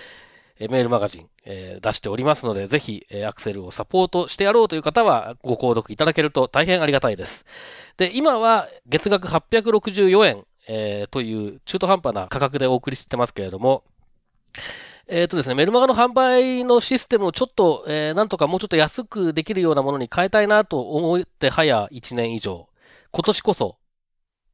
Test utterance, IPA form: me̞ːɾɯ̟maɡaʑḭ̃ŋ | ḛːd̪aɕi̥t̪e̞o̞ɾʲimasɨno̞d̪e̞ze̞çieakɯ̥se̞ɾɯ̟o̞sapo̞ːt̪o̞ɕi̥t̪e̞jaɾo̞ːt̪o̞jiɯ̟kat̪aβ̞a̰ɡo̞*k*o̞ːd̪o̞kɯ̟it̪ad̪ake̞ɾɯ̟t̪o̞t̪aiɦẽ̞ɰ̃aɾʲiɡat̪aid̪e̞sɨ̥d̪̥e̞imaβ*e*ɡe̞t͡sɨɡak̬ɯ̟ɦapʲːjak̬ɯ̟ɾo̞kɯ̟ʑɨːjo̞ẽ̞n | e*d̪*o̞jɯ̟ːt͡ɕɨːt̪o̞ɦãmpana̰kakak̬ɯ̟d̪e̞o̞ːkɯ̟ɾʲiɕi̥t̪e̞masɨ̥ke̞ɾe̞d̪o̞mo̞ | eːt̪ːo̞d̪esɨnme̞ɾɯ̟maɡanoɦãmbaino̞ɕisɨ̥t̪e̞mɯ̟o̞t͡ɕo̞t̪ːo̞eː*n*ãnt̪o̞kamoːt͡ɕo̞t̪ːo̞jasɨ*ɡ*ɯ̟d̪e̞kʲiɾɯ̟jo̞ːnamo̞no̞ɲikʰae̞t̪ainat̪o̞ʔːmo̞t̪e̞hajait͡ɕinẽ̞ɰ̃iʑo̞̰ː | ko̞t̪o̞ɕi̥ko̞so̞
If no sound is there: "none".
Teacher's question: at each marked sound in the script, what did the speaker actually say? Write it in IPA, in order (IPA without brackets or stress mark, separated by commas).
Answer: k, a, t̪, n, k